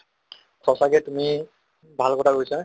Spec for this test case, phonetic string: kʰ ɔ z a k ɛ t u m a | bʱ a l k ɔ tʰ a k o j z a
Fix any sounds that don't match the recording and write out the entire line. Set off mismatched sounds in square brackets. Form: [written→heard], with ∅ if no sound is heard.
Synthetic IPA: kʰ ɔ [z→s] a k ɛ t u m [a→i] | bʱ a l k ɔ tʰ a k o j [z→s] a